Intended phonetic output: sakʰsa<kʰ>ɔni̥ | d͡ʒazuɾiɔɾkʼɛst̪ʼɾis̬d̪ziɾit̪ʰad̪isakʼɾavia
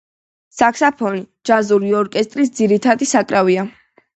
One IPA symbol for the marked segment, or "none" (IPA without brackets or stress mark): pʰ